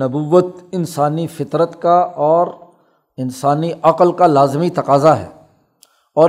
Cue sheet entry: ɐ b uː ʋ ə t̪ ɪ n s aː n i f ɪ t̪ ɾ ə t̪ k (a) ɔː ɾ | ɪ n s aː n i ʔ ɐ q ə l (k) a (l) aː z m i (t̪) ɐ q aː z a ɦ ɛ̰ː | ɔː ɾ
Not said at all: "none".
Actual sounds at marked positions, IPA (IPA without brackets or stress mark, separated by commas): a, k, l, t̪